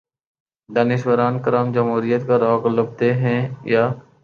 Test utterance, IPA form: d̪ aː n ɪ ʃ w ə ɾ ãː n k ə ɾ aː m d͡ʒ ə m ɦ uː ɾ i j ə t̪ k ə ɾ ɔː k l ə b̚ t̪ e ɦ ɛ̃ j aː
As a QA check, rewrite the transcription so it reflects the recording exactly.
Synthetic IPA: d̪ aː n ɪ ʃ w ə ɾ aː n k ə ɾ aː m d͡ʒ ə m ɦ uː ɾ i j ə t̪ k a ɾ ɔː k l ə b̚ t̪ e ɦ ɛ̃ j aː